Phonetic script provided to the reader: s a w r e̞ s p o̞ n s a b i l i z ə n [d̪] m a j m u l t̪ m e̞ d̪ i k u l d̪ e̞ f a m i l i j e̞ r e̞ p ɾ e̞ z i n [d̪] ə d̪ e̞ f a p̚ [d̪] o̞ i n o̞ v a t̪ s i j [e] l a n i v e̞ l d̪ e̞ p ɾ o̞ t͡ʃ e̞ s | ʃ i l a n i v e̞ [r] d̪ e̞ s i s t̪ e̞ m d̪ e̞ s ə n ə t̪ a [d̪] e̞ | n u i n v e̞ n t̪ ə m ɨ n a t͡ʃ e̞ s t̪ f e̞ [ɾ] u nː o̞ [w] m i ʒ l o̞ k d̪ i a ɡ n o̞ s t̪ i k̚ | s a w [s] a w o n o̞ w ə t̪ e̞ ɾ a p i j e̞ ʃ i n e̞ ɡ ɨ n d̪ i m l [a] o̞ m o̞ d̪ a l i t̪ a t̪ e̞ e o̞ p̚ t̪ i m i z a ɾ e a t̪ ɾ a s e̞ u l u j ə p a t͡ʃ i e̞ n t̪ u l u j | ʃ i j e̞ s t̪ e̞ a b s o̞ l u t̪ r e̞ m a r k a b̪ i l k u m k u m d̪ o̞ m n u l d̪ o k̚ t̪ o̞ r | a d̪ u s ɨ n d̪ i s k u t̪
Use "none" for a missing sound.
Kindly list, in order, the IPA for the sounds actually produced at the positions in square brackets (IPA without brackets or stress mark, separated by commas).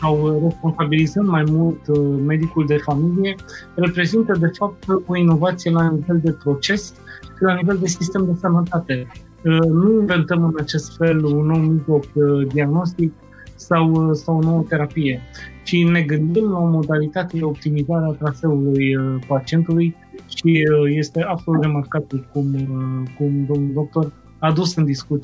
d̪, t̪, t̪, e, l, t̪, l, w, s, a